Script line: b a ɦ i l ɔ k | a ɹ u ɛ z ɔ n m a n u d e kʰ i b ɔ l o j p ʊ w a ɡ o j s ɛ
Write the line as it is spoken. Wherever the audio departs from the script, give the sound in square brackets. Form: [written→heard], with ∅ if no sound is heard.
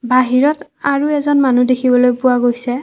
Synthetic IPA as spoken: b a ɦ i [l→ɹ] ɔ [k→t] | a ɹ u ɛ z ɔ n m a n u d e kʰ i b ɔ l o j p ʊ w a ɡ o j s ɛ

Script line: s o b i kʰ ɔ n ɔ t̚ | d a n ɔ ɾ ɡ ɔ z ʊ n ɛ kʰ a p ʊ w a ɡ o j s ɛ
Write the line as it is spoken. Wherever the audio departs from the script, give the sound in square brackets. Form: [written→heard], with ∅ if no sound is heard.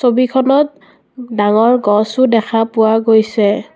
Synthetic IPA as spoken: s o b i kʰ ɔ n ɔ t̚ | d a [n→ŋ] ɔ [ɾ→ɹ] ɡ ɔ [z→s] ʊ [n→d] ɛ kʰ a p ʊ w a ɡ o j s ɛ

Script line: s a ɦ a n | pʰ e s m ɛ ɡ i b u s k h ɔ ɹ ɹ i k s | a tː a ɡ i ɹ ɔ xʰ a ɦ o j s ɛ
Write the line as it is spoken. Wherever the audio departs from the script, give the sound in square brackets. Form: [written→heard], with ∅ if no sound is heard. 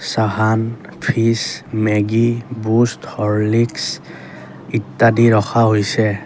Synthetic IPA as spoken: s a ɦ a n | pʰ [e→i] s m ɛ ɡ i b u s [k→t] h ɔ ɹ [ɹ→l] i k s | [a→i] tː a [ɡ→d] i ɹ ɔ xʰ a ɦ o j s ɛ

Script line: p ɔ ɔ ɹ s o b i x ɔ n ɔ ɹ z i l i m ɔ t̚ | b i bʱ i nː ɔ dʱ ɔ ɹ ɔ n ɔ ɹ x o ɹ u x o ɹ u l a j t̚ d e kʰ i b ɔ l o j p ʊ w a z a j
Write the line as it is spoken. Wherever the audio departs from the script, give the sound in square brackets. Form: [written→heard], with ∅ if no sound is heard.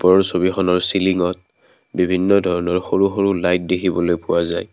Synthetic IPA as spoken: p ɔ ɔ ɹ s o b i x ɔ n ɔ ɹ [z→s] i l i [m→ŋ] ɔ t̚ | b i bʱ i nː ɔ dʱ ɔ ɹ ɔ n ɔ ɹ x o ɹ u x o ɹ u l a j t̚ d e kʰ i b ɔ l o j p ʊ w a z a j

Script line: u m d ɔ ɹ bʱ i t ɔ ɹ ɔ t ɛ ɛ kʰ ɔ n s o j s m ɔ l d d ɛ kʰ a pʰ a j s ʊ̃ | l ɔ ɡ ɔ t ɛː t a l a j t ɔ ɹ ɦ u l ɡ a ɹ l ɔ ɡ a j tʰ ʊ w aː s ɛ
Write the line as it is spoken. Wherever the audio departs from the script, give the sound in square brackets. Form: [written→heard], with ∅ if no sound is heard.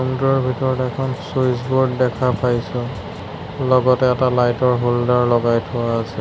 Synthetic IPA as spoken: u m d ɔ ɹ bʱ i t ɔ ɹ ɔ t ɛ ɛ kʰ ɔ n s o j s [m→b] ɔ [l→ɹ] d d ɛ kʰ a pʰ a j s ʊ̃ | l ɔ ɡ ɔ t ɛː t a l a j t ɔ ɹ ɦ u l [ɡ→d] a ɹ l ɔ ɡ a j tʰ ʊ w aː s ɛ

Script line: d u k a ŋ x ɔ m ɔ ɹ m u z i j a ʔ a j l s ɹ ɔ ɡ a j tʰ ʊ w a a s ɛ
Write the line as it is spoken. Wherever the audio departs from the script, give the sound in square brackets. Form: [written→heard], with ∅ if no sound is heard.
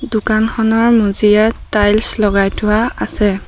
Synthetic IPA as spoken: d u k a [ŋ→n] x ɔ [m→n] ɔ ɹ m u z i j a [ʔ→t] a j l s [ɹ→l] ɔ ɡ a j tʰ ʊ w a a s ɛ

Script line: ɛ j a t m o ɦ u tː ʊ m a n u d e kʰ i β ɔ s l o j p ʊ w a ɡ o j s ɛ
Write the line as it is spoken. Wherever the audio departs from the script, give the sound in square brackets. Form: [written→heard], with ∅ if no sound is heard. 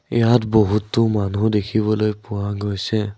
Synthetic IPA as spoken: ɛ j a t [m→b] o ɦ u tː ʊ m a n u d e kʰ i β ɔ [s→∅] l o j p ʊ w a ɡ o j s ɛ

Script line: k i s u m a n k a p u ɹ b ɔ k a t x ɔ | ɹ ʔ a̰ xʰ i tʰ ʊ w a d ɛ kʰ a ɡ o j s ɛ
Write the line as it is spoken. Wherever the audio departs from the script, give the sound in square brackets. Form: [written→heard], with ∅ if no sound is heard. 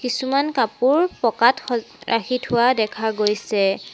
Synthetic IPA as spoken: k i s u m a n k a p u ɹ [b→p] ɔ k a t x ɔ | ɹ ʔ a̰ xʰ i tʰ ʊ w a d ɛ kʰ a ɡ o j s ɛ

